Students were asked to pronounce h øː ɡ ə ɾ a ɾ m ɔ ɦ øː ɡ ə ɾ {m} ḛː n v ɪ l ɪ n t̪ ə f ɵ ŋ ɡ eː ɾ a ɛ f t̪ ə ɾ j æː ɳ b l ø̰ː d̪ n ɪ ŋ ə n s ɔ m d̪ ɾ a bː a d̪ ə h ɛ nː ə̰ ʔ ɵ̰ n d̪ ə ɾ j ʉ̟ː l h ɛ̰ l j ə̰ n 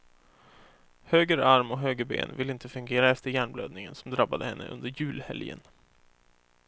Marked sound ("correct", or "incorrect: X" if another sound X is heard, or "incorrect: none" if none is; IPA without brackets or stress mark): incorrect: b